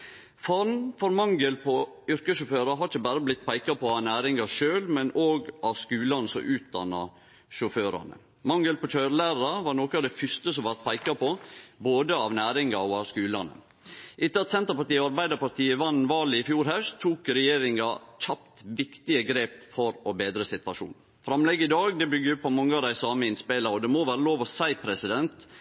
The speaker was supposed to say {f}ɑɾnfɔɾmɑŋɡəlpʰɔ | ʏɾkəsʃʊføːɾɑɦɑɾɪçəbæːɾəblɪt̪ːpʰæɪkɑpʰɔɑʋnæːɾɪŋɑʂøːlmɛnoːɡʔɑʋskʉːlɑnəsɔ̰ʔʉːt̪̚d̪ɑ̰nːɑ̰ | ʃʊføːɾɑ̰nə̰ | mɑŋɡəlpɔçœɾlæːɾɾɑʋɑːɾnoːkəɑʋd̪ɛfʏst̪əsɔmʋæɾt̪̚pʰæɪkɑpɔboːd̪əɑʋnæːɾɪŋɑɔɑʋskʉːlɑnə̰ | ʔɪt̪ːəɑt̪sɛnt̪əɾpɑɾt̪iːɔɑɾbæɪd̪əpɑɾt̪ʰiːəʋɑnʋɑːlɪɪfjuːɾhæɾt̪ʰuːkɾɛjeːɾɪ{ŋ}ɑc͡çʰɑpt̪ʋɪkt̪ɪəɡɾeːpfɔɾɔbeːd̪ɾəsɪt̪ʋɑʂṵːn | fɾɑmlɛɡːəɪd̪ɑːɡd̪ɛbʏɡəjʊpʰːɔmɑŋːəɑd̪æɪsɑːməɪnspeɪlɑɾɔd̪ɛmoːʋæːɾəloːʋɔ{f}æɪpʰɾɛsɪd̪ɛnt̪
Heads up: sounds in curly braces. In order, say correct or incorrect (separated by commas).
correct, correct, incorrect